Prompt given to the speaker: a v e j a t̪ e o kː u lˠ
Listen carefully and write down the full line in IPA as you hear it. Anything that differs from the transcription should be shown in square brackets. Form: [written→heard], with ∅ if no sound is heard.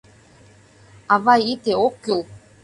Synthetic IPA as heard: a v [e→a] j [a→i] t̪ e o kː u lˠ